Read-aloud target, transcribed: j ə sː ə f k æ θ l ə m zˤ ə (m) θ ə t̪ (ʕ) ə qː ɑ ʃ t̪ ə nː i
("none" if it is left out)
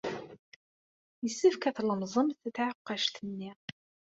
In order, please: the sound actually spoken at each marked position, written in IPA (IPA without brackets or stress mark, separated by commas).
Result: m, ʕ